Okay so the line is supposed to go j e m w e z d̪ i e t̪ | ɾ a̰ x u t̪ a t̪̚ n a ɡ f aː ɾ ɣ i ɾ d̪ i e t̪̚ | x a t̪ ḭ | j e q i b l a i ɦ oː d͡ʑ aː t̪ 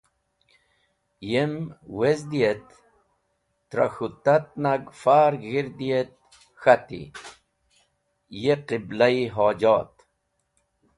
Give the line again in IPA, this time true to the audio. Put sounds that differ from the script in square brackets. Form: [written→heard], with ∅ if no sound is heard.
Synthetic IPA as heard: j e m w e z d̪ i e t̪ | ɾ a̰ x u t̪ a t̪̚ n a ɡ f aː ɾ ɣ i ɾ d̪ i e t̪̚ | x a t̪ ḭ | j e q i b l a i ɦ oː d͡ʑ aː t̪